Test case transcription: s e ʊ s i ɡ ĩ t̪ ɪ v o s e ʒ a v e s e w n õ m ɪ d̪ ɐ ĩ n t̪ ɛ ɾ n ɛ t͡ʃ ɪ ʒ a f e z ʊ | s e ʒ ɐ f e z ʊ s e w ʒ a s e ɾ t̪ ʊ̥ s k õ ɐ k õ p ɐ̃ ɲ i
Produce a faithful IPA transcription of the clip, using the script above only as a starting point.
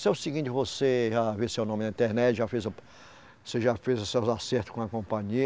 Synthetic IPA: s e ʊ s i ɡ ĩ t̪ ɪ v o s e ʒ a v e s e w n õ m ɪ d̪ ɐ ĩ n t̪ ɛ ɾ n ɛ t͡ʃ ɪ ʒ a f e z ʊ | s e ʒ a f e z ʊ s e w z a s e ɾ t̪ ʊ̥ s k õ ɐ k õ p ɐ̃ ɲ i